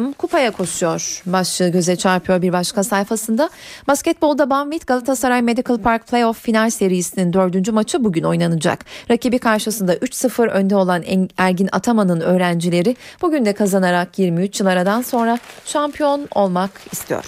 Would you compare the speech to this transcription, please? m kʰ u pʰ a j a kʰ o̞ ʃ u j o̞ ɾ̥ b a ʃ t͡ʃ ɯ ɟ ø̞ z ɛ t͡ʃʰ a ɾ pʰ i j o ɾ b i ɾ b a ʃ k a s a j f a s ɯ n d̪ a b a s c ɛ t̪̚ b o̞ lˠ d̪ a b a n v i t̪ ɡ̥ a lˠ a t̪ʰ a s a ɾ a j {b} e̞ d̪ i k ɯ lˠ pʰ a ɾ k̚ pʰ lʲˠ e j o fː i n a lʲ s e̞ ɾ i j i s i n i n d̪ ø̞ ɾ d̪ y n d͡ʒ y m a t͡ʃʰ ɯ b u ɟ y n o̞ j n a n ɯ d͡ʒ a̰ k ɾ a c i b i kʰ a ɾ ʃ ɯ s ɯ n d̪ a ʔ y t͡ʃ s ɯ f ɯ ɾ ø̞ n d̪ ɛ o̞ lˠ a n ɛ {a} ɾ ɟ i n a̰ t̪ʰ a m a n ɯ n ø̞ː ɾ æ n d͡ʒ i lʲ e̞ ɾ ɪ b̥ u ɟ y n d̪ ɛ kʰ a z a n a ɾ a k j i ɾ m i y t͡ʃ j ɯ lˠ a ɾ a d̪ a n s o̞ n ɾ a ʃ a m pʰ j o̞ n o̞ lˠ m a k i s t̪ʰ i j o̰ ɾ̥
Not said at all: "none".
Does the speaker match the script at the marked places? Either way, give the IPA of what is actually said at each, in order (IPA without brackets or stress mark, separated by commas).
m, æ